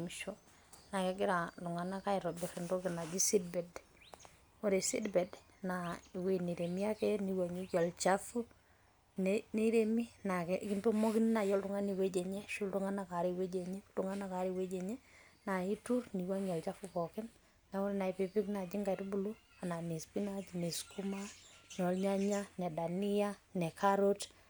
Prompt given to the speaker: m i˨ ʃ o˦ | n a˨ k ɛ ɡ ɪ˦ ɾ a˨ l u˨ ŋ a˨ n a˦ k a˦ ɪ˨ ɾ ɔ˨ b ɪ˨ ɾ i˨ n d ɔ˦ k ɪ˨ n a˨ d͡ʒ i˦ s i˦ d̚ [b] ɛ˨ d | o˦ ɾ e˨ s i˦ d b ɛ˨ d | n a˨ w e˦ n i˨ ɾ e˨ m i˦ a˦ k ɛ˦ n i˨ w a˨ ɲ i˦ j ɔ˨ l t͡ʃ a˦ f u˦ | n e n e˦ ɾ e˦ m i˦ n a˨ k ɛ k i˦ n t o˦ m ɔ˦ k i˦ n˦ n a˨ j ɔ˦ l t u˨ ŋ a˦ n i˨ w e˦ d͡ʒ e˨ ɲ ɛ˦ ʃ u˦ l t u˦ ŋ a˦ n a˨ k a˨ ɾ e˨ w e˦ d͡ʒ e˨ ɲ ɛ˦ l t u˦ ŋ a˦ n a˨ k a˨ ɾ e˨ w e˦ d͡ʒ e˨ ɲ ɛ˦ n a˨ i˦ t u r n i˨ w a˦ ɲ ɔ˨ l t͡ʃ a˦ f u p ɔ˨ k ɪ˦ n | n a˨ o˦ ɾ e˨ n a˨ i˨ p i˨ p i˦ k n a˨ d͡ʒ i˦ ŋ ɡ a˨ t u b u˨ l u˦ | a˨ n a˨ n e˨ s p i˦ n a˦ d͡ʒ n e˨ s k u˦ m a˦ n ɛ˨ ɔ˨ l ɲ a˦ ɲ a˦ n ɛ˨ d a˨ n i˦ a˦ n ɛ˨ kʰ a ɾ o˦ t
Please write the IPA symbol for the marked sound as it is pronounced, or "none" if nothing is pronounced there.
b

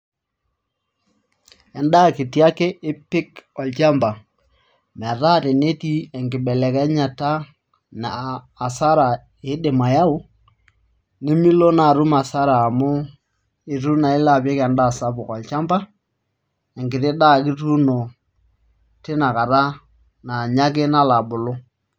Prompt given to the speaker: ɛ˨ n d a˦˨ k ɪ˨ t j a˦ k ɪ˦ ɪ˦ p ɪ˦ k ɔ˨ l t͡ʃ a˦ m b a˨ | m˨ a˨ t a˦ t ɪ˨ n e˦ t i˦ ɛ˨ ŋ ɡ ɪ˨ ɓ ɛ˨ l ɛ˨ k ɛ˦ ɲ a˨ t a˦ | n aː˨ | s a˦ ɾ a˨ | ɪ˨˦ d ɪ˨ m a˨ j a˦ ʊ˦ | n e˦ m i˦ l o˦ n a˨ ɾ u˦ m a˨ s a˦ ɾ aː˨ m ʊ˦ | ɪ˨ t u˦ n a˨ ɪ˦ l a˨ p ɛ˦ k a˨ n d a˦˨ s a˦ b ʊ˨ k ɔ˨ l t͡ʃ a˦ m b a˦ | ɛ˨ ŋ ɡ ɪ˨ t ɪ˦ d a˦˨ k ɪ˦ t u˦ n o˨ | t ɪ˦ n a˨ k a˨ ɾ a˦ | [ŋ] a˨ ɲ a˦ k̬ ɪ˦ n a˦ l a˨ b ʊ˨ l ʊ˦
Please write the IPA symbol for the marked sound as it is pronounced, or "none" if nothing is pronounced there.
n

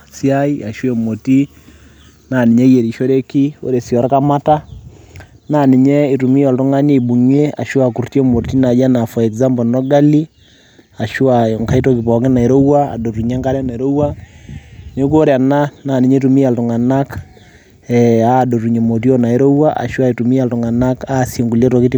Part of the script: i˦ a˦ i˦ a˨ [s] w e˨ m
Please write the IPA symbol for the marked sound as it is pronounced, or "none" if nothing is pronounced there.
ʃ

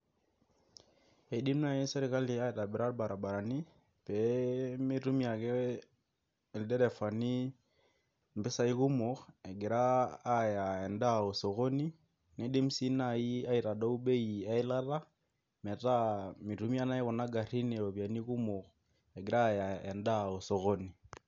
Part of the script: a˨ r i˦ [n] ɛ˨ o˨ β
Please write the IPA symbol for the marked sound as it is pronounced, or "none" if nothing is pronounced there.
n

